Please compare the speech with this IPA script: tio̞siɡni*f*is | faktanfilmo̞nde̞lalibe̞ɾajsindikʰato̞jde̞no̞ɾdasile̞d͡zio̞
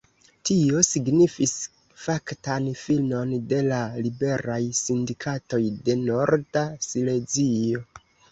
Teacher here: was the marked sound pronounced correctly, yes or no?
yes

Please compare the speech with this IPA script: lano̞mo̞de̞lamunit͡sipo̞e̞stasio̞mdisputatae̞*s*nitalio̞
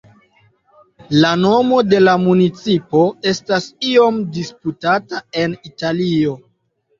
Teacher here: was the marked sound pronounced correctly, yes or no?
no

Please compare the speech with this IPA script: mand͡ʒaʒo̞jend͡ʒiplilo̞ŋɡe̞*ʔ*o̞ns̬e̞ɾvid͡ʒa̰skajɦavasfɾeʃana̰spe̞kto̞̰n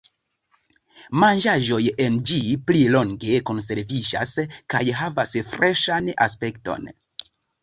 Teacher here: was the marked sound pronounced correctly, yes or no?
no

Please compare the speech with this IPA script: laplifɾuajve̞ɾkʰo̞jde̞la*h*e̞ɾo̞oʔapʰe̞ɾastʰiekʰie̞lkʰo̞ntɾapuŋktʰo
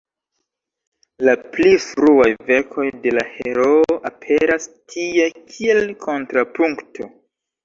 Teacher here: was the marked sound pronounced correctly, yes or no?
yes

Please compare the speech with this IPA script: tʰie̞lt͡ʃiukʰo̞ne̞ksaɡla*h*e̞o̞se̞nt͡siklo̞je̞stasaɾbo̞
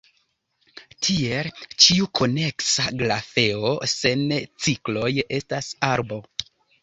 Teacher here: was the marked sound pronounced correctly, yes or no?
no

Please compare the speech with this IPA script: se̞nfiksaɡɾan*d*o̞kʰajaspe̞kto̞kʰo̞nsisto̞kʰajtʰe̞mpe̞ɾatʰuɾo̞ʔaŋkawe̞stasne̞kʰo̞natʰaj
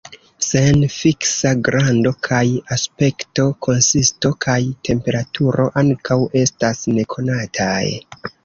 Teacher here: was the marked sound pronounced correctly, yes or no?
yes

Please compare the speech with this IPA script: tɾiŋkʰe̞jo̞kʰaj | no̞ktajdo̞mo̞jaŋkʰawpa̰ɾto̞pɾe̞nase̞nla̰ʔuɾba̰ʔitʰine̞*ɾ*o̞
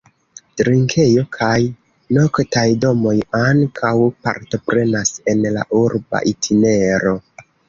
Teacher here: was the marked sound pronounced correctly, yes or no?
yes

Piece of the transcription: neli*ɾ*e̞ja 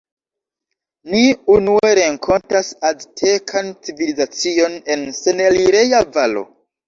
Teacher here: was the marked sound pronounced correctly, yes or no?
yes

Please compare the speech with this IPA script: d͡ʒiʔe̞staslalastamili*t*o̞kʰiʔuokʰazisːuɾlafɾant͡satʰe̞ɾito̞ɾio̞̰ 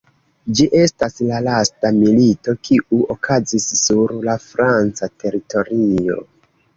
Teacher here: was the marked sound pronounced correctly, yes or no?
yes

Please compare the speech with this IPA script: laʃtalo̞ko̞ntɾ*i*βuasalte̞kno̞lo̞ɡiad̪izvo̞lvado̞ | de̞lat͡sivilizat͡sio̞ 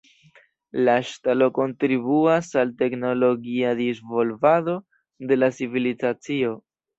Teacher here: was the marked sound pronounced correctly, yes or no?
yes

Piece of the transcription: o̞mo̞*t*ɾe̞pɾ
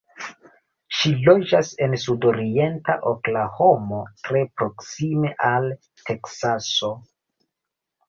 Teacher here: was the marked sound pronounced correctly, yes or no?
yes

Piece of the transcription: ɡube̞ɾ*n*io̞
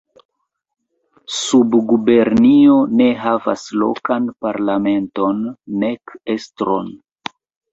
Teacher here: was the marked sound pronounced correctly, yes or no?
yes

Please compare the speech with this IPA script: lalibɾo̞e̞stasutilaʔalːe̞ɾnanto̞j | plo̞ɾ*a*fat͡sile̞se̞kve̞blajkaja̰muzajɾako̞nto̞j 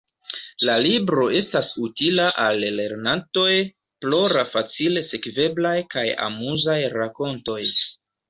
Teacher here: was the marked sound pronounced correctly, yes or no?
yes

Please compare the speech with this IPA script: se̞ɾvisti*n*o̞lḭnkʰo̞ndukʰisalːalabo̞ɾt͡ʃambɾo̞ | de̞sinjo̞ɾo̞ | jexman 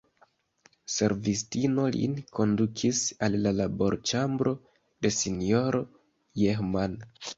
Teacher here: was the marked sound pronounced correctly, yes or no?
yes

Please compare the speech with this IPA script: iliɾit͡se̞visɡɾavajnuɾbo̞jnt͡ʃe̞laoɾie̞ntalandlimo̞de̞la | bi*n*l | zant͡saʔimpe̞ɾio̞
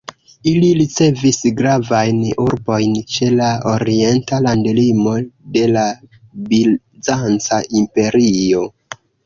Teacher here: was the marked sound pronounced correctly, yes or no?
no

